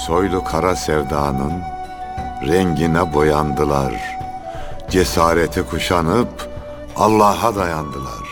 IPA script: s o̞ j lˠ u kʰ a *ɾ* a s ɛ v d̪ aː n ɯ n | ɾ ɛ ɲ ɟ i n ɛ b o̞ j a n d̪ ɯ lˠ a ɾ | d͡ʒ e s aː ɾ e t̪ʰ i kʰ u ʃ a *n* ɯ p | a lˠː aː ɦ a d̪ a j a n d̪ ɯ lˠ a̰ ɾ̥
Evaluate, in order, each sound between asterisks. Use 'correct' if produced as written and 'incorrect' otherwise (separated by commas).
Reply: correct, correct